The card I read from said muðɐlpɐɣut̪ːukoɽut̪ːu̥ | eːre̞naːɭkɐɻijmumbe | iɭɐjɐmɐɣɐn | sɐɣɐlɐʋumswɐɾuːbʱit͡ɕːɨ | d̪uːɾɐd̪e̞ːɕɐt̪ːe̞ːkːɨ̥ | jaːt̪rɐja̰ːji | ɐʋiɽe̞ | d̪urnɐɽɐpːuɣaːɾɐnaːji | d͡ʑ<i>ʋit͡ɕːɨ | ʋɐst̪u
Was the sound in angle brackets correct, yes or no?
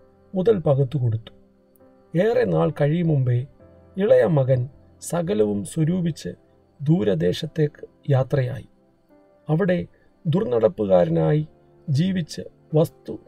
no